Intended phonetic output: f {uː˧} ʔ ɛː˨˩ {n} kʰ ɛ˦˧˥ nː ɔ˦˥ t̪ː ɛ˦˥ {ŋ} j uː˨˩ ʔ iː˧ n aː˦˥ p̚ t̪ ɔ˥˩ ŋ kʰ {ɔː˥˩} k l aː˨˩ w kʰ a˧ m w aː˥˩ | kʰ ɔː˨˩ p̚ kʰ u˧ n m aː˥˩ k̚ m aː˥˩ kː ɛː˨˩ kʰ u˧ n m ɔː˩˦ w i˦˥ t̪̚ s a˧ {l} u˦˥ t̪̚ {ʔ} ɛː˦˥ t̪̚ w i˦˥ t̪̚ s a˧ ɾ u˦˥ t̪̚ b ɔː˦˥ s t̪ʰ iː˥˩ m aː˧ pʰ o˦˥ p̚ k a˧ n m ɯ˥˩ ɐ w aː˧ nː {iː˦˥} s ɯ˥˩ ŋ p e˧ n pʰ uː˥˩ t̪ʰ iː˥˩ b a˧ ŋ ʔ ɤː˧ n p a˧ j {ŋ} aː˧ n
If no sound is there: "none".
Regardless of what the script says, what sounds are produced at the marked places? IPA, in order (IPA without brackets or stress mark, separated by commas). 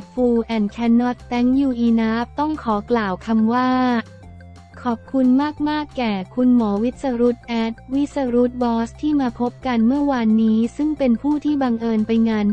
uː˧, n, ŋ, ɔː˩˦, ɾ, ʔ, iː˦˥, ŋ